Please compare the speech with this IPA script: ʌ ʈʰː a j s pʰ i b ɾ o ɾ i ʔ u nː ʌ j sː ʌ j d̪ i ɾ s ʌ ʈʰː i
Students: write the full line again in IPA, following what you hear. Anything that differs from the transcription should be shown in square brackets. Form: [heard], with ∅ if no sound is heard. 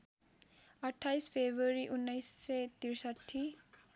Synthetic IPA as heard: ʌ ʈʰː a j s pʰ [e] b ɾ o ɾ i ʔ u nː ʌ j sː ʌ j [t̪] i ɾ s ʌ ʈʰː i